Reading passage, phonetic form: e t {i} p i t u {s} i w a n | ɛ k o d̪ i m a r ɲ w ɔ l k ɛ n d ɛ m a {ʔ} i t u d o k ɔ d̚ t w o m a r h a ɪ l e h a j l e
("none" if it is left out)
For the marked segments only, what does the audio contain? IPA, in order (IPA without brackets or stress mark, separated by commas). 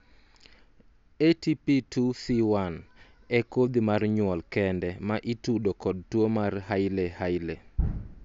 i, s, ʔ